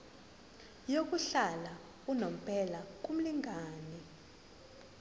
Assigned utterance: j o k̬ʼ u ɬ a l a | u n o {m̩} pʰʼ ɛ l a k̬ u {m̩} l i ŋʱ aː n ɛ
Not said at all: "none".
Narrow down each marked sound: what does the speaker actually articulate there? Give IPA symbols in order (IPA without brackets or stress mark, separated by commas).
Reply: m̩, m̩